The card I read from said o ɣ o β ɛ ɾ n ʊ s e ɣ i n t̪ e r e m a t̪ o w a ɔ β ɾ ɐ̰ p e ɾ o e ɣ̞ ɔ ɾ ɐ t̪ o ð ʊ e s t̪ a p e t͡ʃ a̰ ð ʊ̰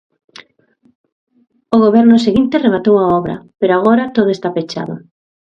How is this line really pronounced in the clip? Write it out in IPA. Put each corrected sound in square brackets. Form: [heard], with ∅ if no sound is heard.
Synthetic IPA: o ɣ o β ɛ ɾ n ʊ s e ɣ i n t̪ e r e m a t̪ o w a ɔ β ɾ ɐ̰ p e ɾ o [a] ɣ̞ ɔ ɾ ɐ t̪ o ð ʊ e s t̪ a p e t͡ʃ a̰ ð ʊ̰